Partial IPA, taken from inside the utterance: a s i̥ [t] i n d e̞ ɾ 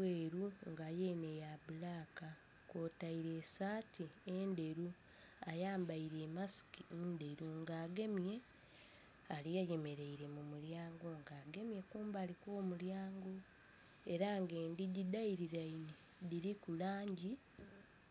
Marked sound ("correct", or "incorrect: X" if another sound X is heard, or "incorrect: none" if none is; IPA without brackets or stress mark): incorrect: k